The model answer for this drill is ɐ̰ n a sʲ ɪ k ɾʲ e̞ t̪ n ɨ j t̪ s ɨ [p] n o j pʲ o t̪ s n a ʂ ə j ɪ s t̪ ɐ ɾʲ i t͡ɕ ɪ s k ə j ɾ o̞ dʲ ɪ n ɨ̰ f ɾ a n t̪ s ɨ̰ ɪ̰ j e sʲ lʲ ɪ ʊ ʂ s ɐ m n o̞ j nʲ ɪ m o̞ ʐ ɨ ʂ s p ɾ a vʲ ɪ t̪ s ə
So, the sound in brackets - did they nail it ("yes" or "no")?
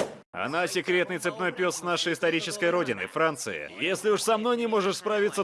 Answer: yes